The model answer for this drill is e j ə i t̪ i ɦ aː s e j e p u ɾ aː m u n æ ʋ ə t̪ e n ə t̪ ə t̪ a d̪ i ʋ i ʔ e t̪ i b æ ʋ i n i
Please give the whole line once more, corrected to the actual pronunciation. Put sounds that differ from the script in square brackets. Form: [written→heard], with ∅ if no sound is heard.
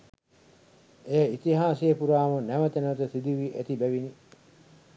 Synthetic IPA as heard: e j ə i t̪ i ɦ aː s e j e p u ɾ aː m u n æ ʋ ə t̪ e n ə t̪ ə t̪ [a→i] d̪ i ʋ i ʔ e t̪ i b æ ʋ i n i

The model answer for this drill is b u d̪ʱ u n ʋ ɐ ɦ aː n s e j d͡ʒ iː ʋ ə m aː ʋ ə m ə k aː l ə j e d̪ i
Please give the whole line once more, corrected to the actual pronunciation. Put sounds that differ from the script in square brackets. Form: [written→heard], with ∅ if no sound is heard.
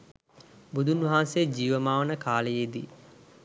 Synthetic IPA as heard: b u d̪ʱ u n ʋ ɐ ɦ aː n s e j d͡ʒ iː ʋ ə m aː ʋ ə [m→n] ə k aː l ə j e d̪ i

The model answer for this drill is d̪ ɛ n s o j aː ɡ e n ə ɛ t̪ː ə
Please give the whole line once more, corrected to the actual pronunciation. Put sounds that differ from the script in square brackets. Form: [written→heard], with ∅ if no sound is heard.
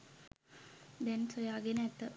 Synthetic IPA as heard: d̪ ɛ n s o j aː ɡ e n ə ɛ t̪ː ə

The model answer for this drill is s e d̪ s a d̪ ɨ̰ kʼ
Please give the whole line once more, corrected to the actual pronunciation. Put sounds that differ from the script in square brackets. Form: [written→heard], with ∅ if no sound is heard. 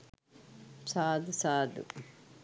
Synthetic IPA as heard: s [e→a] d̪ s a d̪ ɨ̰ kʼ

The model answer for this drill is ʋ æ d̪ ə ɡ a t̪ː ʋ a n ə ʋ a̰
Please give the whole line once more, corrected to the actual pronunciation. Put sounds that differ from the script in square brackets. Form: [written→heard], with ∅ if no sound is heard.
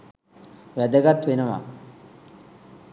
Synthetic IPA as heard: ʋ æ d̪ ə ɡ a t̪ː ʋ [a→e] n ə ʋ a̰

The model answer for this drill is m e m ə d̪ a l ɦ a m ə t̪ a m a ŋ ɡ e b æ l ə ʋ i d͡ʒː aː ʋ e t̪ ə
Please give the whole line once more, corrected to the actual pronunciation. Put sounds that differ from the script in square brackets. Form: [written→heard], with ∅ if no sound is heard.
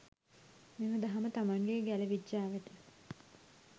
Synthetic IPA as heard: m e m ə d̪ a [l→∅] ɦ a m ə t̪ a m a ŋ ɡ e [b→ɡ] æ l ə ʋ i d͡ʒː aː ʋ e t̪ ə

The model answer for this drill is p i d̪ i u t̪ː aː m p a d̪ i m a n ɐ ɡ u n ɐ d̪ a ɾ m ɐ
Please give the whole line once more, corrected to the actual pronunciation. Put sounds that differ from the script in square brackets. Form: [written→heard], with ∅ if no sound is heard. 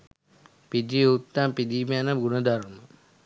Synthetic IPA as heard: p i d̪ i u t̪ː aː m p [a→i] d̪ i m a n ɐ ɡ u n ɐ d̪ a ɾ m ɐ

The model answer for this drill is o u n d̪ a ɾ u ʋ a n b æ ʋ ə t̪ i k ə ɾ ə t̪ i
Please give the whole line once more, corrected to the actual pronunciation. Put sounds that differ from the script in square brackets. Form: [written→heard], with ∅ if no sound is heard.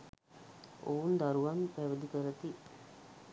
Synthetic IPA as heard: o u n d̪ a ɾ u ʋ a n [b→p] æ ʋ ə [t̪→d̪] i k ə ɾ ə t̪ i

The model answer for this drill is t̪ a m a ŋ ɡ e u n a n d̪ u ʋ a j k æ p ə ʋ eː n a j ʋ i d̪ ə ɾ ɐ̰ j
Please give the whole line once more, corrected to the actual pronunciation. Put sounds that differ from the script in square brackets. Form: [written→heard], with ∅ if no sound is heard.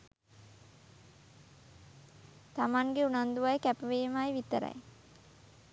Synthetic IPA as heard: t̪ a m a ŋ ɡ e u n a n d̪ u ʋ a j k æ p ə ʋ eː [n→m] a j ʋ i [d̪→t̪] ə ɾ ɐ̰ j

